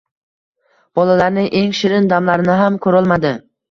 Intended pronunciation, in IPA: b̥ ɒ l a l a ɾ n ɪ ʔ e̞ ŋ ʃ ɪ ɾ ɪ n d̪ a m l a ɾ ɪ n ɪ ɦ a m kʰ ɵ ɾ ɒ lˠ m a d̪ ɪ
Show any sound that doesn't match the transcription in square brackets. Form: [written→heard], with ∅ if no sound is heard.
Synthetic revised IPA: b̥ ɒ l a l a ɾ n ɪ ʔ e̞ ŋ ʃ ɪ ɾ ɪ n d̪ a m l a ɾ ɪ n ɪ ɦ a m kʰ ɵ ɾ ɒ lˠ m a d̪ ɪ